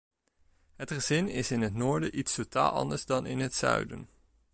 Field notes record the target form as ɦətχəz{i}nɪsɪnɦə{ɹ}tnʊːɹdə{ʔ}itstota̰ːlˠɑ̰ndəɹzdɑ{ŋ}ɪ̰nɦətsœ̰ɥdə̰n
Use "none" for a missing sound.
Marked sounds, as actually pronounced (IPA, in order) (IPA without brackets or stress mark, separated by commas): ɪ, none, ʔ, n